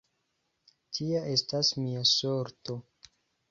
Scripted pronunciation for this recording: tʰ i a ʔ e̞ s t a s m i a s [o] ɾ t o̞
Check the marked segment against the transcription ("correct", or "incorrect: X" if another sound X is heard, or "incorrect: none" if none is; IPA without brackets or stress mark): correct